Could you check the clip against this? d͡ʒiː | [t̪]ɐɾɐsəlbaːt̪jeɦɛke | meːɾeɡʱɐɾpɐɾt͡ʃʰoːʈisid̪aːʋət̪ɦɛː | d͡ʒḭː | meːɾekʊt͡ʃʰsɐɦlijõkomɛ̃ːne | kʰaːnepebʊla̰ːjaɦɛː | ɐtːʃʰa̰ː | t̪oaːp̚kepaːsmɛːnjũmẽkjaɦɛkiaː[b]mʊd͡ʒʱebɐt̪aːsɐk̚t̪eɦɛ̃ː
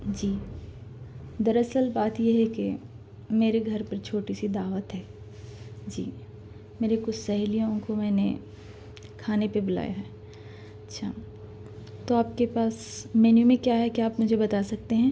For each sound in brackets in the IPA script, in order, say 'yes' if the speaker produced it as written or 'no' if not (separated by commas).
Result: no, no